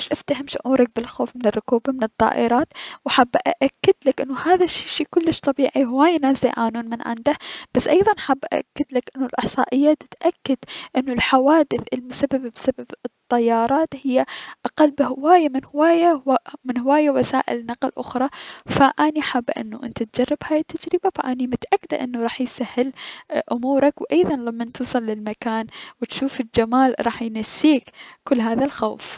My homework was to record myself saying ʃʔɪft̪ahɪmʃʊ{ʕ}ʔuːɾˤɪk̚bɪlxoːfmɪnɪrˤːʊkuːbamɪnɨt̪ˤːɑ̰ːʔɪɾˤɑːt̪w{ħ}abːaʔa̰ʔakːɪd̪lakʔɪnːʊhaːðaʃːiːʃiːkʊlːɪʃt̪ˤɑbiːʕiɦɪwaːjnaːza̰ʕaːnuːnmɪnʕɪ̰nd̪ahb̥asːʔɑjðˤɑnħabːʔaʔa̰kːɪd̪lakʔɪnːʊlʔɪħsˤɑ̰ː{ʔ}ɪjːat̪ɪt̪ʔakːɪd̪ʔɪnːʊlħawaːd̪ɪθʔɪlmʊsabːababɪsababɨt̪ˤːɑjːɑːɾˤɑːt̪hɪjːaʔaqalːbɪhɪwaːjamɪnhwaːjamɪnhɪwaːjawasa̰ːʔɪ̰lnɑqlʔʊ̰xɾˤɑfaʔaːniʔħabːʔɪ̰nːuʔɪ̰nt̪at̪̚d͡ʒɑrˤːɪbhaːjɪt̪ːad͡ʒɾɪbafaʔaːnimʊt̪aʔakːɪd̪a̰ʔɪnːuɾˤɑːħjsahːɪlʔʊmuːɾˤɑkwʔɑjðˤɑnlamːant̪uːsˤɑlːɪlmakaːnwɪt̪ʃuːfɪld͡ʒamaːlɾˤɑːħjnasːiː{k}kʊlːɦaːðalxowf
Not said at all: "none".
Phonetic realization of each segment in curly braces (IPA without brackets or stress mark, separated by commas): ʕ, ħ, ʔ, k